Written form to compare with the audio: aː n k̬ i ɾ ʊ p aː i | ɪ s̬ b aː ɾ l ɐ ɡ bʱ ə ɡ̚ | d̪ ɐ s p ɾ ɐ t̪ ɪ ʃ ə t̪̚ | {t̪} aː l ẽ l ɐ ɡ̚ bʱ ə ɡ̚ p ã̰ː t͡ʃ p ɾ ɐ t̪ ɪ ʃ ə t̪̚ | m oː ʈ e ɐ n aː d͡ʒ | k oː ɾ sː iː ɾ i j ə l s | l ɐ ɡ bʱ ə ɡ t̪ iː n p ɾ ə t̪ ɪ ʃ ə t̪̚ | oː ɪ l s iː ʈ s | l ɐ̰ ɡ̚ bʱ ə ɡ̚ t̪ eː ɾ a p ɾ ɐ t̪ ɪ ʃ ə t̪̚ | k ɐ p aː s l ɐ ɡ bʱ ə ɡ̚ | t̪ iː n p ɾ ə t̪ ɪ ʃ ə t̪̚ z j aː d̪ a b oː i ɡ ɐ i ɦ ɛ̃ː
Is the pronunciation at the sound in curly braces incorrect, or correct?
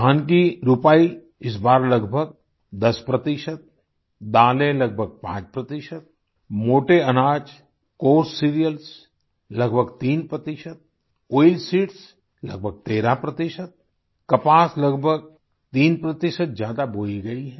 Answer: incorrect